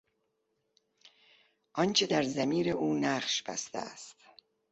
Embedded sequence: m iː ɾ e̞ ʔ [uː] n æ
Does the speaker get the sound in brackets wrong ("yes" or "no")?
no